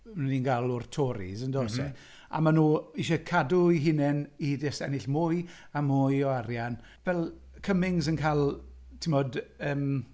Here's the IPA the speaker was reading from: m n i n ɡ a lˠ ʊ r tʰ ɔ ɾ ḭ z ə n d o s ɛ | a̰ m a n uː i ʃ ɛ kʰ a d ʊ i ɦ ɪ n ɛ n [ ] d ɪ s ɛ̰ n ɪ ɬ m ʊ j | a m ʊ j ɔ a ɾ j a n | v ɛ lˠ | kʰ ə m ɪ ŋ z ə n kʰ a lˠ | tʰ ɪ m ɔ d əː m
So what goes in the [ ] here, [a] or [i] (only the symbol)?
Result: i